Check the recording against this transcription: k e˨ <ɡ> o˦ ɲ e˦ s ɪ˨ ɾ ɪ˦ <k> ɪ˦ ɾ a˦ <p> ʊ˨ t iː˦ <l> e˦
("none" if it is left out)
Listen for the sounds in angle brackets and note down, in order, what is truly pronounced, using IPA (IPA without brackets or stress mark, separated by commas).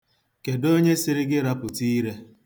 d, ɡ, p, ɾ